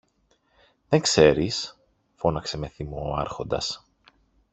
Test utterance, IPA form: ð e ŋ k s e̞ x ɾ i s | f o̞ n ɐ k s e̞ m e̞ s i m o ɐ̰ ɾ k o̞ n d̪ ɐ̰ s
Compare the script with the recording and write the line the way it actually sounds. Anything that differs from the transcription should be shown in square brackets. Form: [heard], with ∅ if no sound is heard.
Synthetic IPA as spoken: ð e ŋ k s e̞ [∅] ɾ i s | f o̞ n ɐ k s e̞ m e̞ [θ] i m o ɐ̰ ɾ [x] o̞ n d̪ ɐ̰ s